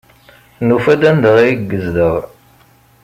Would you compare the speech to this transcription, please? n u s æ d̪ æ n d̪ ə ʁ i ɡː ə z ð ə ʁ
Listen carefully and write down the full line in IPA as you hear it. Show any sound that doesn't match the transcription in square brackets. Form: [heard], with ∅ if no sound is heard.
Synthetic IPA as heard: n u [f] æ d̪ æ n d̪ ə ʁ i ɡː ə z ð ə ʁ